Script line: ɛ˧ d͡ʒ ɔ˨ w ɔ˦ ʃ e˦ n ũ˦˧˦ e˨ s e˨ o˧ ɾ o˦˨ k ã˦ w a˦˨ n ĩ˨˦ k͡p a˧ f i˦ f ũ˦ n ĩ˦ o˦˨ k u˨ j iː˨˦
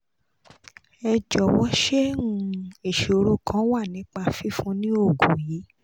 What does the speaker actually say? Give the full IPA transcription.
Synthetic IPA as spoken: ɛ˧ d͡ʒ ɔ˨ w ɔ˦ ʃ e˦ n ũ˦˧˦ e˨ ʃ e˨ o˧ ɾ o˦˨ k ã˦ w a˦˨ n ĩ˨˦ k͡p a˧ f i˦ f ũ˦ n ĩ˦ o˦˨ ɡ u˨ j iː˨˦